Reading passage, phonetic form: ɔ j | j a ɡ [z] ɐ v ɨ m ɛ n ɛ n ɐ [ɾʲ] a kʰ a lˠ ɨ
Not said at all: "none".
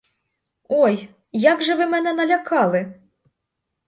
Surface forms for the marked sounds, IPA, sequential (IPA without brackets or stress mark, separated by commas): ʐ, lʲ